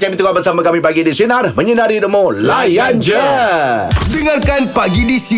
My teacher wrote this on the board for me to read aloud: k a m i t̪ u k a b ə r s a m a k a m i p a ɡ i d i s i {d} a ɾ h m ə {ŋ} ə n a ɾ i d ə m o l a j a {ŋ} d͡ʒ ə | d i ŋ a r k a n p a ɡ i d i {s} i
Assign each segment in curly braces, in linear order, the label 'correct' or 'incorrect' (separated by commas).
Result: incorrect, incorrect, incorrect, correct